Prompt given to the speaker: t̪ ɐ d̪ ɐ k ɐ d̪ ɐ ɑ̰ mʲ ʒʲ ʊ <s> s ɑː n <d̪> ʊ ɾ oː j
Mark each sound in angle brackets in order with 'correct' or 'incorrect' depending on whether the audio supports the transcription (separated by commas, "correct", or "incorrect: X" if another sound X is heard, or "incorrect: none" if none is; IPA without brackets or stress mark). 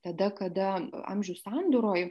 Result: correct, correct